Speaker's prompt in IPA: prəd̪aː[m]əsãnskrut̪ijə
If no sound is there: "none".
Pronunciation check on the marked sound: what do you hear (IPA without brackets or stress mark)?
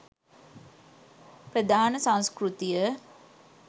n